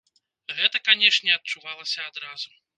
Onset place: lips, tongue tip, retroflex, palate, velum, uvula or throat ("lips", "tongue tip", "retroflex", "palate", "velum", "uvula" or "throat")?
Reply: velum